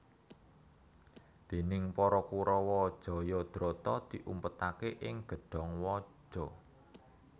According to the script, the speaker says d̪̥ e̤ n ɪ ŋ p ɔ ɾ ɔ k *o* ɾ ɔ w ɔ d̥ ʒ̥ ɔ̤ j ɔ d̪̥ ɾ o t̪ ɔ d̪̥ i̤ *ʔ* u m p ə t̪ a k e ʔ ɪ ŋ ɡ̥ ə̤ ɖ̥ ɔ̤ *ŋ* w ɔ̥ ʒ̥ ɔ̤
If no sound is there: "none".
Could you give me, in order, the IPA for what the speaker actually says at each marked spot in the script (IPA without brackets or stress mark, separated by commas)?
u, ʔ, ŋ